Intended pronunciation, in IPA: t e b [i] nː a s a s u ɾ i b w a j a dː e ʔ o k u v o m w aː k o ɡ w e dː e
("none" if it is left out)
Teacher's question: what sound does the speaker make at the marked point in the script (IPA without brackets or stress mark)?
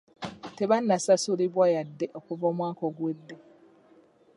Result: a